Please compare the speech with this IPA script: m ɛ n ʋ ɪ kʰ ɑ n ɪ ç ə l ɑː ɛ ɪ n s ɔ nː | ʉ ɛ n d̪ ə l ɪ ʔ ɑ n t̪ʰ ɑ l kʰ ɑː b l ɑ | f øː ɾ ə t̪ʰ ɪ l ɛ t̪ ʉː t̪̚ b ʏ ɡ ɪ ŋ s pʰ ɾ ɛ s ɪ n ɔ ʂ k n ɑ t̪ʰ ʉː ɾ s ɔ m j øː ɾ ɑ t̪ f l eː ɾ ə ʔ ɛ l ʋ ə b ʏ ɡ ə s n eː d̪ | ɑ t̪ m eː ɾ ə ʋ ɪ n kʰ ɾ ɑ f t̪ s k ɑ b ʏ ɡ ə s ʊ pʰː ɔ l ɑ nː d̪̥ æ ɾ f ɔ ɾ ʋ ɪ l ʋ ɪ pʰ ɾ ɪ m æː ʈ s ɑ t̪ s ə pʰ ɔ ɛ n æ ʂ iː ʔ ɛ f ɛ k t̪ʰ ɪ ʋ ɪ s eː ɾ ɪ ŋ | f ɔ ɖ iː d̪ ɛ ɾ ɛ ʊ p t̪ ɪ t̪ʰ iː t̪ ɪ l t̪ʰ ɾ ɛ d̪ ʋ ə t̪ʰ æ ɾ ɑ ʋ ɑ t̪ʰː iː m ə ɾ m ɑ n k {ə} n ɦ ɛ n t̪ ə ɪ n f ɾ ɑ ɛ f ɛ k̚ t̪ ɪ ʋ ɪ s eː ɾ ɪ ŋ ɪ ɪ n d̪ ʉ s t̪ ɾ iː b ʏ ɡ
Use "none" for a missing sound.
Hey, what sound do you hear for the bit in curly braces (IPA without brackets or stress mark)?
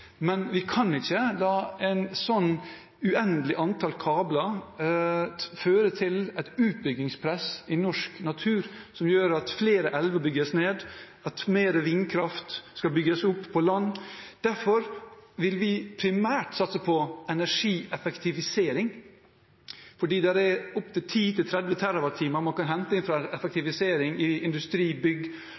ɑ